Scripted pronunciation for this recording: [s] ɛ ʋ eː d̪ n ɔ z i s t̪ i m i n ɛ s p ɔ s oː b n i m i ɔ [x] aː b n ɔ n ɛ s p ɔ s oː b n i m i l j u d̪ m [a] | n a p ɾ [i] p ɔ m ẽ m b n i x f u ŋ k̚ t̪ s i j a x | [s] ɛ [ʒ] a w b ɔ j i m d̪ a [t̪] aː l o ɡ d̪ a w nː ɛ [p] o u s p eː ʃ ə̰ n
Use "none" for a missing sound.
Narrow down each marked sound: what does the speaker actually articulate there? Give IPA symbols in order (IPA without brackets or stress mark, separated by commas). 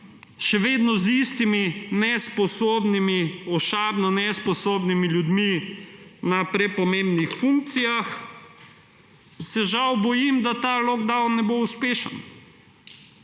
ʃ, ʃ, i, ɛ, s, ʒ, t̪, b